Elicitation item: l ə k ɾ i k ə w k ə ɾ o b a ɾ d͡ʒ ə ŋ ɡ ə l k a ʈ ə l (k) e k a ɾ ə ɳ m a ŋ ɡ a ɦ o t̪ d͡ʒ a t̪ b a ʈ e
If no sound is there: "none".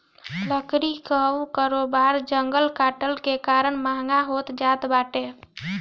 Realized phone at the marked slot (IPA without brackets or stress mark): k